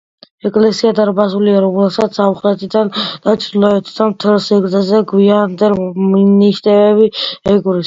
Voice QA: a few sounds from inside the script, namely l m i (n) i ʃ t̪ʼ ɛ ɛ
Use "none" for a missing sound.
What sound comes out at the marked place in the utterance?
n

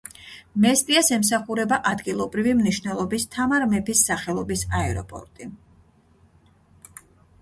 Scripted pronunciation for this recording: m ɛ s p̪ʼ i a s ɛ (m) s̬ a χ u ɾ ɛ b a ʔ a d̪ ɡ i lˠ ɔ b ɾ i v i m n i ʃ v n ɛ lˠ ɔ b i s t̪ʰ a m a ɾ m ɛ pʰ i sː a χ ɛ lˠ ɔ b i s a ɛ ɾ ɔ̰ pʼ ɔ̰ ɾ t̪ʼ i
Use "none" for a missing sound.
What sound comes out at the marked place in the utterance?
m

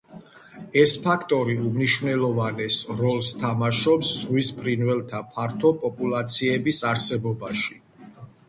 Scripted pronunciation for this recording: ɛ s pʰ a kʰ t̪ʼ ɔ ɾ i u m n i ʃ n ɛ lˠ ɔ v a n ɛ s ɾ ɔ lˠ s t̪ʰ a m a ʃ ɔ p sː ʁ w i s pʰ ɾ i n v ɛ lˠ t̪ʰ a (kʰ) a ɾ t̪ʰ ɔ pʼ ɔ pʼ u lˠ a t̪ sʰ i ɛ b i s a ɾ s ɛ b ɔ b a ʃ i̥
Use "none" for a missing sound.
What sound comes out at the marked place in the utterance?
pʰ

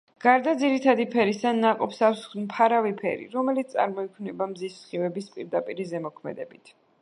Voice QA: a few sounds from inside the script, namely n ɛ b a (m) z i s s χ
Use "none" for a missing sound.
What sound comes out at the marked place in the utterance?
m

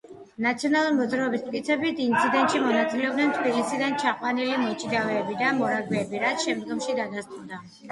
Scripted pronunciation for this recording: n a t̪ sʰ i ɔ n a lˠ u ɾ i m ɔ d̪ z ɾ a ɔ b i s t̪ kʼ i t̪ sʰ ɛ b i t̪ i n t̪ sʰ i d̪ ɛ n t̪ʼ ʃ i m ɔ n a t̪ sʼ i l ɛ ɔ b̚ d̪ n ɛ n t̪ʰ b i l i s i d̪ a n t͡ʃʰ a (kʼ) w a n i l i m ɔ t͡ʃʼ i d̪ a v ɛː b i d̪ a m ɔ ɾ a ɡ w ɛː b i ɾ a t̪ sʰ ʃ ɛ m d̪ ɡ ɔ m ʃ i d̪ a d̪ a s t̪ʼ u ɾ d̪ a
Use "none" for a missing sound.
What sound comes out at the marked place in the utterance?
qʼ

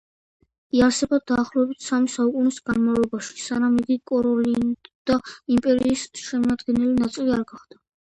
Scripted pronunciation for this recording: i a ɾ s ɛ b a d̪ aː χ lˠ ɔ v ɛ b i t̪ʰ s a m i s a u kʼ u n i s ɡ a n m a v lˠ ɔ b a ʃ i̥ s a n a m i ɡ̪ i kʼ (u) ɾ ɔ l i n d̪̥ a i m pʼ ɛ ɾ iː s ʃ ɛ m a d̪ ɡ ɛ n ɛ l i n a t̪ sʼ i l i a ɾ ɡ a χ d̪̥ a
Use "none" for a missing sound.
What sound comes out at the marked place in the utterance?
ɔ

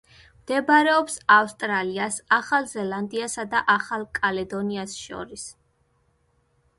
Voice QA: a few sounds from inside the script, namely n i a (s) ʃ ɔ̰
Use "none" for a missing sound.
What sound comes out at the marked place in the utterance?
s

